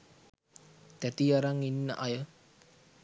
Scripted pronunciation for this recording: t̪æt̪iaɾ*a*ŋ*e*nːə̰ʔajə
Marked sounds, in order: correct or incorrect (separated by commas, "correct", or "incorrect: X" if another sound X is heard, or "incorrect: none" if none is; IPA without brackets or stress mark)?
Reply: correct, incorrect: i